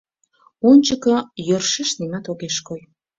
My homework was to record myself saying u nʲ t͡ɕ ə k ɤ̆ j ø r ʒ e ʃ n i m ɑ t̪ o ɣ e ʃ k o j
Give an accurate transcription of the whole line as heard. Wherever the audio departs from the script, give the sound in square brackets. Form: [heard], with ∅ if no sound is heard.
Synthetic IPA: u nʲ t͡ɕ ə k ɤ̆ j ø r [ʃ] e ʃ n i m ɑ t̪ o ɣ e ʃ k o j